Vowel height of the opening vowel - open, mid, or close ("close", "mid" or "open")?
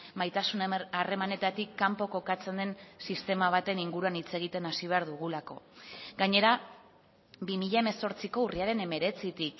open